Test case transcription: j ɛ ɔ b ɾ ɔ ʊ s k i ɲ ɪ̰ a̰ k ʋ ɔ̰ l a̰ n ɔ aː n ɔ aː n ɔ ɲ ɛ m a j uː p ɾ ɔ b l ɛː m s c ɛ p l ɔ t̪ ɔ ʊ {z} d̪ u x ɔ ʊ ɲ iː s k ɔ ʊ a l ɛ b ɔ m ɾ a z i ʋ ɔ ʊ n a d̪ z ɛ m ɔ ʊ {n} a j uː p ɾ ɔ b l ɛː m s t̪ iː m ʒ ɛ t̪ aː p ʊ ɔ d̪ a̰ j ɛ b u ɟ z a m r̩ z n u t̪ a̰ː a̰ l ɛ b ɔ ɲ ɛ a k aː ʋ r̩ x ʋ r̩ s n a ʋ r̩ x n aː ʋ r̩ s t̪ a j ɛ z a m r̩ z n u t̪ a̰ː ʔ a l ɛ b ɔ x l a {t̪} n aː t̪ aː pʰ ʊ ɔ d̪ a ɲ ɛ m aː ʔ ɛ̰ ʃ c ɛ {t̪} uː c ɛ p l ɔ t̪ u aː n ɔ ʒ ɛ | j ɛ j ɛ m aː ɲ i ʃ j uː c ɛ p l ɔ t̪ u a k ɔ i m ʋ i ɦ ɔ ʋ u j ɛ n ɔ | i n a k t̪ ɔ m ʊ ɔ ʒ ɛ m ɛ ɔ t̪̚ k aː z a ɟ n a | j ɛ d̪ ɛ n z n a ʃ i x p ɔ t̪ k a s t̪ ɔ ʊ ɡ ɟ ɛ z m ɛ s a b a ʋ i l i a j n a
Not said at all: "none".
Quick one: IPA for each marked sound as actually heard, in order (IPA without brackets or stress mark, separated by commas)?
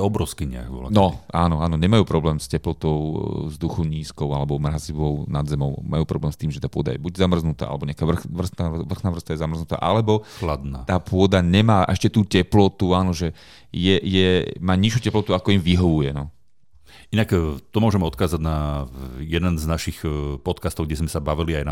z, m, d̪, t̪